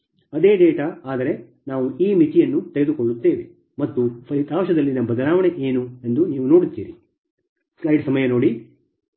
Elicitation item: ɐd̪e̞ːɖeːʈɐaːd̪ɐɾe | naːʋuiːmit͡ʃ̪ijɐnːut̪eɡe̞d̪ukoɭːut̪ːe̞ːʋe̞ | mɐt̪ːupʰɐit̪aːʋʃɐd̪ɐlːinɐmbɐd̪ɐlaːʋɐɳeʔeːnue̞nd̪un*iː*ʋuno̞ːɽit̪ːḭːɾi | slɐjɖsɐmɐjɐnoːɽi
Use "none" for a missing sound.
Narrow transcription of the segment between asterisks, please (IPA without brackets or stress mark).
iː